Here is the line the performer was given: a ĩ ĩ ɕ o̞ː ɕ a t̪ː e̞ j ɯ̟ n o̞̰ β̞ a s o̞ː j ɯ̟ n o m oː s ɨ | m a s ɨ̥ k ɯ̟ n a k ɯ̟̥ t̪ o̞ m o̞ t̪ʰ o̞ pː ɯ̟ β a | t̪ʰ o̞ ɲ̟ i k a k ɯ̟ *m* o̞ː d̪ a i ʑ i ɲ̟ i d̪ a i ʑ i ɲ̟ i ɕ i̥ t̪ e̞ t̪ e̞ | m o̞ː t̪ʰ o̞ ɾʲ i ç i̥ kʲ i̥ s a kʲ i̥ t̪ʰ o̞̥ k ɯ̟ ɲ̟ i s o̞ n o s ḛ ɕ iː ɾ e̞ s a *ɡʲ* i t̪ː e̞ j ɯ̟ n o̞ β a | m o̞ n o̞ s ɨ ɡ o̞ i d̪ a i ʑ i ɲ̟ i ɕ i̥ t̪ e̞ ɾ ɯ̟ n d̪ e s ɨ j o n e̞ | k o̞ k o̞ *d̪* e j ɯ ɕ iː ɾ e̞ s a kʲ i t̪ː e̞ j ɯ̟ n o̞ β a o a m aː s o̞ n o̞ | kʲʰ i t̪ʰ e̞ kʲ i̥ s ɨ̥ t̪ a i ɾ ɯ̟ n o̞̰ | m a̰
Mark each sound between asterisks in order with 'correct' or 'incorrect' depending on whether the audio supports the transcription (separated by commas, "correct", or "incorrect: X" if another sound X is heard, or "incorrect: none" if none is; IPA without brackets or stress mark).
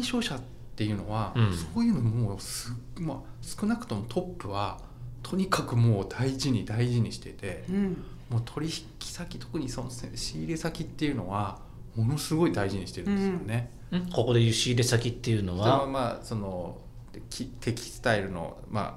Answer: correct, incorrect: kʲ, correct